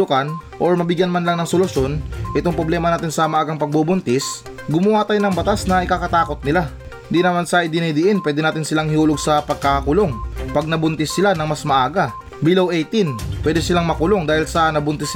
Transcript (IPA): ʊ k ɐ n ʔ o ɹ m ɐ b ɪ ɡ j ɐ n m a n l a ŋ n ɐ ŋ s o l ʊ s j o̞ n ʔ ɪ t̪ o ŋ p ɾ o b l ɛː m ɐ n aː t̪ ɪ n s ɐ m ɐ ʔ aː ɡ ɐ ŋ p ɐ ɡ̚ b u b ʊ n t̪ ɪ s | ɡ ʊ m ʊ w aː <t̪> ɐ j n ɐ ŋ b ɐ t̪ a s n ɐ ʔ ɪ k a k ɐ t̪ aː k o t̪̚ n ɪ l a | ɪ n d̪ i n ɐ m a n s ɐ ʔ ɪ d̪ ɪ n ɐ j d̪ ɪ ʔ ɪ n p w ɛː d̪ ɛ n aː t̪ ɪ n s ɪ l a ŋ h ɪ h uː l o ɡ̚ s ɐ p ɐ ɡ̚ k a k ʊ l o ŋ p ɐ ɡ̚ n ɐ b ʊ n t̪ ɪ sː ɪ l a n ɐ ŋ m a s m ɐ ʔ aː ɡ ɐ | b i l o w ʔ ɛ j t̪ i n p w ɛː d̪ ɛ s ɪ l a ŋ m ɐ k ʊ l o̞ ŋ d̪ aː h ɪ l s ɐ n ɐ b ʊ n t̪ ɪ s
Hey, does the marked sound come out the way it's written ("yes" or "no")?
yes